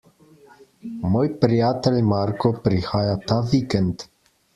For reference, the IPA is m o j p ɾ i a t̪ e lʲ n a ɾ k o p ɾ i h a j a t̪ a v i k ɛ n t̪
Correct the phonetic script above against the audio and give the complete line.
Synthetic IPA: m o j p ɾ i a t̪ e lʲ m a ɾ k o p ɾ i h a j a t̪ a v i k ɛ n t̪